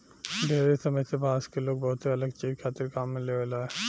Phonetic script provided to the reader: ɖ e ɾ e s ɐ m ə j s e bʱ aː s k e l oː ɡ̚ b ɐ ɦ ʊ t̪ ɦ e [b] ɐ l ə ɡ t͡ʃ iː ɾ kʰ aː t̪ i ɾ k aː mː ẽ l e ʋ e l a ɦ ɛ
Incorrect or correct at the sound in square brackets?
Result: incorrect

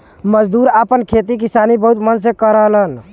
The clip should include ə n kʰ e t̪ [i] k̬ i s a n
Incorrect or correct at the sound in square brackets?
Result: correct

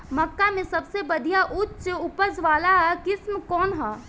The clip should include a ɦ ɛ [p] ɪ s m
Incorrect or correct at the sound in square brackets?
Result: incorrect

